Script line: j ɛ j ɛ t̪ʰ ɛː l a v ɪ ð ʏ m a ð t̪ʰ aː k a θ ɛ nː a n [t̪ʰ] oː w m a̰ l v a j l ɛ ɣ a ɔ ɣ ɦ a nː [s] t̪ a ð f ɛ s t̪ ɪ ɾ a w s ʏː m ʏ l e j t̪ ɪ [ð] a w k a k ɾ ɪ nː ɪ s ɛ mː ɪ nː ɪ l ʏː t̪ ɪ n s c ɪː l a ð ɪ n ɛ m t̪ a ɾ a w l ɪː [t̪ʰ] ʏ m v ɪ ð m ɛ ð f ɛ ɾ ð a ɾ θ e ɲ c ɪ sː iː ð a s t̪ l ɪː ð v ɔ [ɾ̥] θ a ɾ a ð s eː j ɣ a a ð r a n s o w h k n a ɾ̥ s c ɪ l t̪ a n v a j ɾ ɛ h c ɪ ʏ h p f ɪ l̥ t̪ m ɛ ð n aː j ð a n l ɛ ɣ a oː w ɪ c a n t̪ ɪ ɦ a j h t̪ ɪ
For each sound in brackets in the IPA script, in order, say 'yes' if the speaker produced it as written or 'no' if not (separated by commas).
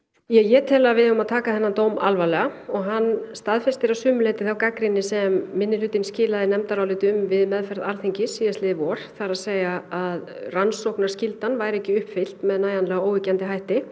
no, yes, no, no, yes